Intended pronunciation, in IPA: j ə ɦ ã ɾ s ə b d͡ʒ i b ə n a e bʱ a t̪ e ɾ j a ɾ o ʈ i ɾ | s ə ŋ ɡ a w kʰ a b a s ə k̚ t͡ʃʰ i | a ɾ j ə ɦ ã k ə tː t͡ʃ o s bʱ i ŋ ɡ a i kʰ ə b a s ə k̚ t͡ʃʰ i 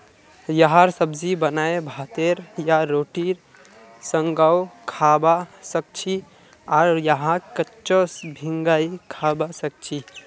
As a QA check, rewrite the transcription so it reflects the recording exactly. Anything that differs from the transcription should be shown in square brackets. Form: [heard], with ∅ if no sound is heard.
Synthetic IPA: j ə ɦ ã ɾ s ə b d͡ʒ i b ə n a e bʱ a t̪ e ɾ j a ɾ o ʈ i ɾ | s ə ŋ ɡ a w kʰ a b a s ə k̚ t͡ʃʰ i | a ɾ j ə ɦ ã k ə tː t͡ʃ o s bʱ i ŋ ɡ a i kʰ [a] b a s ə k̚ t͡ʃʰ i

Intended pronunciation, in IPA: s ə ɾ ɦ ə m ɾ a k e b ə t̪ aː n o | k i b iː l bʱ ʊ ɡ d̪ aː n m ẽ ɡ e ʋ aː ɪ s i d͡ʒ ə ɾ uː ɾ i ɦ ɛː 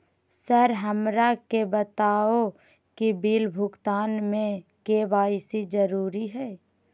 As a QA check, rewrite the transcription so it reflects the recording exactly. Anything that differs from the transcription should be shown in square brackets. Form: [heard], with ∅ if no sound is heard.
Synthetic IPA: s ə ɾ ɦ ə m ɾ a k e b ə t̪ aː [∅] o | k i b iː l bʱ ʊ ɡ [t̪] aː n m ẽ [k] e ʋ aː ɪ s i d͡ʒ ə ɾ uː ɾ i ɦ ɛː

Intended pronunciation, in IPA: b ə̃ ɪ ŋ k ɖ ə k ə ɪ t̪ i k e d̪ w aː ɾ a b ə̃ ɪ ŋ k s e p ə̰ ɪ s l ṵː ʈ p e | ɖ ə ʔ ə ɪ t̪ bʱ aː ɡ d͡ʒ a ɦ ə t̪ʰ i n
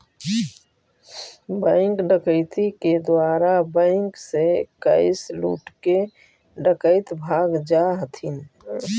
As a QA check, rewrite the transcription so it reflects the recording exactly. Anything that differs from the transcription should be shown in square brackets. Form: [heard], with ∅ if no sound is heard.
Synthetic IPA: b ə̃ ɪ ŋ k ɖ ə k ə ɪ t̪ i k e d̪ w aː ɾ a b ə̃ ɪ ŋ k s e [k] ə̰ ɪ s l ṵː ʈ [k] e | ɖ ə [k] ə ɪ t̪ bʱ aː ɡ d͡ʒ a ɦ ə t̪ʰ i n

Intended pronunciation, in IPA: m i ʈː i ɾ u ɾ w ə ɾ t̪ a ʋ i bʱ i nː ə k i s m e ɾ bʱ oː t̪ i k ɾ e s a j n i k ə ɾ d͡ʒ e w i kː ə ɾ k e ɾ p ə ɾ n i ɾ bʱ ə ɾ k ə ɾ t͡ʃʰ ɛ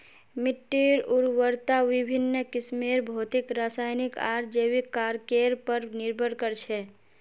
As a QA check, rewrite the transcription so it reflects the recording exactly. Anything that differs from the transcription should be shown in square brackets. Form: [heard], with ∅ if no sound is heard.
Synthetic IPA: m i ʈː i ɾ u ɾ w ə ɾ t̪ a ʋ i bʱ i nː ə k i s m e ɾ bʱ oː t̪ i k ɾ [a] s a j n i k [a] ɾ d͡ʒ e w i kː [a] ɾ k e ɾ p ə ɾ n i ɾ bʱ ə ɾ k ə ɾ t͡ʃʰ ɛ

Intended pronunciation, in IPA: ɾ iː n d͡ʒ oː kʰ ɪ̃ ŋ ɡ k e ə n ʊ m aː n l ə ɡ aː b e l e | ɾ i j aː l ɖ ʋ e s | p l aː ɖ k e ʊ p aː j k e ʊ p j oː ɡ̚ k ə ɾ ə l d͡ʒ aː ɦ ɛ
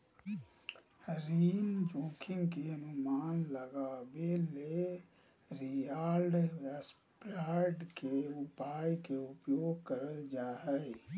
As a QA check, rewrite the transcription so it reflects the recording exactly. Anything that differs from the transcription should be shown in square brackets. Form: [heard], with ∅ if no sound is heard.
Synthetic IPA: ɾ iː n d͡ʒ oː kʰ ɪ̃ ŋ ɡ k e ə n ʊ m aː n l ə ɡ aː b e l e | ɾ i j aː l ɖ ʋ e s | p [ɾ] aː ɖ k e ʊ p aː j k e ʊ p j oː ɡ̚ k ə ɾ ə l d͡ʒ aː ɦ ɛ

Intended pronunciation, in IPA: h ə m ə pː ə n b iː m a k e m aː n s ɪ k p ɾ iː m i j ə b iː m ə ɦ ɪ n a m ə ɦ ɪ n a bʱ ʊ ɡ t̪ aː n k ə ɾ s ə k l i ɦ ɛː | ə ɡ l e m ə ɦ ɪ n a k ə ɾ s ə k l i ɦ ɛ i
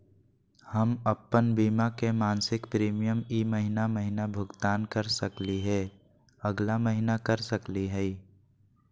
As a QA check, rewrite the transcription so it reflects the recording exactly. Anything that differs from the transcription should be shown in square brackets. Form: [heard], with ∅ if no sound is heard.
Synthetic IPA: h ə m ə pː ə n b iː m a k e m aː n s ɪ k p ɾ iː m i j ə [m] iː m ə ɦ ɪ n a m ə ɦ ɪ n a bʱ ʊ ɡ t̪ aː n k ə ɾ s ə k l i ɦ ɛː | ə ɡ l [a] m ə ɦ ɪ n a k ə ɾ s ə k l i ɦ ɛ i

